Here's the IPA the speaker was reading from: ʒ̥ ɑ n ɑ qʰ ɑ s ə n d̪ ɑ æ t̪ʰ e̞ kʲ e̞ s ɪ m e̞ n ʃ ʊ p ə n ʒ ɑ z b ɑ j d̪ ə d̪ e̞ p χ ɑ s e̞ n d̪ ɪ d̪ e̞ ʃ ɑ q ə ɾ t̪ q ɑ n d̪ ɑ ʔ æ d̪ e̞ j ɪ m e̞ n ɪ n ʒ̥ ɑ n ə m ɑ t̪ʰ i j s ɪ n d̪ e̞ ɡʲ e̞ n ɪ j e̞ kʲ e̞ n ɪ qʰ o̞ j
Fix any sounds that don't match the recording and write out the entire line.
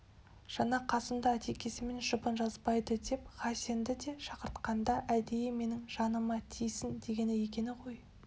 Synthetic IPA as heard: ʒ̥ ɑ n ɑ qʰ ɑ s ə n d̪ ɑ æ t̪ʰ e̞ kʲ e̞ s ɪ m e̞ n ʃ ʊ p ə n ʒ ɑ z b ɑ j d̪ ə d̪ e̞ p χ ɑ s e̞ n d̪ ɪ d̪ e̞ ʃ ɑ q ə ɾ t̪ q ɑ n d̪ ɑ ʔ æ d̪ e̞ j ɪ m e̞ n ɪ ŋ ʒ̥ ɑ n ə m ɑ t̪ʰ i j s ɪ n d̪ e̞ ɡʲ e̞ n ɪ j e̞ kʲ e̞ n ɪ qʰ o̞ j